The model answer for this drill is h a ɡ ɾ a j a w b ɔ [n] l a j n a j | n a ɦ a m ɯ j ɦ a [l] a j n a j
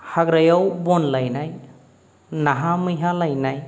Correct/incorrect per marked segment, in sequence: correct, correct

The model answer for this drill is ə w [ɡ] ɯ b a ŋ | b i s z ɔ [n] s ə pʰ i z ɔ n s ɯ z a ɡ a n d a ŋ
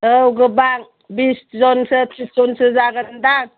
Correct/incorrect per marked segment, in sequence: correct, correct

